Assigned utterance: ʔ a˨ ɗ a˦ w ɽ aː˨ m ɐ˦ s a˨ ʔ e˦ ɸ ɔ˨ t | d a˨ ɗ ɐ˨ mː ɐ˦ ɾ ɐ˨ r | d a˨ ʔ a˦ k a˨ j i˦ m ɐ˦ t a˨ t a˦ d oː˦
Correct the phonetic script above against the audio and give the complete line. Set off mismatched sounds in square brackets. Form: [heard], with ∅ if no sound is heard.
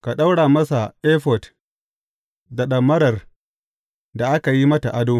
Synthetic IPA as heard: [k] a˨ ɗ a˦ w ɽ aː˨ m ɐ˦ s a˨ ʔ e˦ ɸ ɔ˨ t | d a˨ ɗ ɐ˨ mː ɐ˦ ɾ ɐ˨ r | d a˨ ʔ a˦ k a˨ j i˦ m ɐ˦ t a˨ [ʔ] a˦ d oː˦